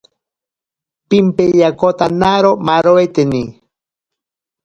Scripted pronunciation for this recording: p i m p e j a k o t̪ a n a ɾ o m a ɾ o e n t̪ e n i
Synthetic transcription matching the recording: p i m p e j a k o t̪ a n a ɾ o m a ɾ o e t̪ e n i

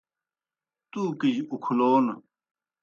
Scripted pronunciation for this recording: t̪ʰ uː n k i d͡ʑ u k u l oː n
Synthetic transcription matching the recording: t̪ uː k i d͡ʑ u kʰ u l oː n

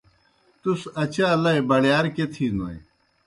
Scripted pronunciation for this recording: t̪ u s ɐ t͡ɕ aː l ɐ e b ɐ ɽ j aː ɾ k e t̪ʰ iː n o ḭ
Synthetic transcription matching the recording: t̪ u s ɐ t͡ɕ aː l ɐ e b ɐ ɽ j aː ɾ k e t̪ʰ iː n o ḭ

